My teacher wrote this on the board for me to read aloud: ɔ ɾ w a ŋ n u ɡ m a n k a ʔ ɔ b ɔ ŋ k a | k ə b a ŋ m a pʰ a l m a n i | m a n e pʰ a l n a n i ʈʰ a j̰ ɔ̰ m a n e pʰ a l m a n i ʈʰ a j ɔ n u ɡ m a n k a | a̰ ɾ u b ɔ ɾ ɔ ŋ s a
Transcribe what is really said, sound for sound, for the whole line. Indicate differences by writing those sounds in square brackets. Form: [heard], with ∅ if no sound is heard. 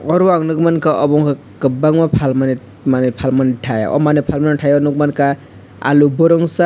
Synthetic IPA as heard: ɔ ɾ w a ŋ n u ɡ m a n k a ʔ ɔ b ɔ ŋ k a | k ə b a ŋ m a pʰ a l m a n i | m a n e pʰ a l [m] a n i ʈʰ a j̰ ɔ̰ m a n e pʰ a l m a n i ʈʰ a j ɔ n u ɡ m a n k a | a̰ [l] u b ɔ ɾ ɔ ŋ s a